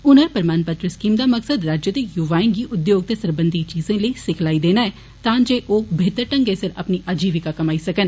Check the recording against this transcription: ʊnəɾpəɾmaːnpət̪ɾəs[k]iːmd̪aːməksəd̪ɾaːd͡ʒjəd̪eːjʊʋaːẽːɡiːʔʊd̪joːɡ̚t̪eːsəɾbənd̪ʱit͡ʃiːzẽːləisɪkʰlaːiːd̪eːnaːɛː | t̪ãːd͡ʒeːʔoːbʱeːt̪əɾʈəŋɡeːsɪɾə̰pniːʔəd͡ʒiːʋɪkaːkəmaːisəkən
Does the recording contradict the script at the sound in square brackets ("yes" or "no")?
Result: no